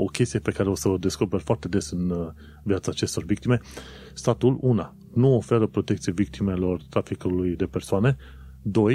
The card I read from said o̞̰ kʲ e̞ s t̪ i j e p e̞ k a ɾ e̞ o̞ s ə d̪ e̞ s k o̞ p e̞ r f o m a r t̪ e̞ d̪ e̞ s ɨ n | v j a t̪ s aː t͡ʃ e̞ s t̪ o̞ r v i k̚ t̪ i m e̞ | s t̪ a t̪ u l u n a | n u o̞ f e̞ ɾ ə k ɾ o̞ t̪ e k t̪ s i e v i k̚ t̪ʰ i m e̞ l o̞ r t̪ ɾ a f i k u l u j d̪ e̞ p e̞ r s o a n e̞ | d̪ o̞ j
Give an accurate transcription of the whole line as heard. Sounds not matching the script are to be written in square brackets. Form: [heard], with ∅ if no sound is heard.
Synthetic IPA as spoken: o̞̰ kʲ e̞ s t̪ i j e p e̞ k a ɾ e̞ o̞ s ə d̪ e̞ s k o̞ p e̞ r f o [∅] a r t̪ e̞ d̪ e̞ s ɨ n | v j a t̪ s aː t͡ʃ e̞ s t̪ o̞ r v i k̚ t̪ i m e̞ | s t̪ a t̪ u l u n a | n u o̞ f e̞ ɾ ə [p] ɾ o̞ t̪ e k t̪ s i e v i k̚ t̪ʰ i m e̞ l o̞ r t̪ ɾ a f i k u l u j d̪ e̞ p e̞ r s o a n e̞ | d̪ o̞ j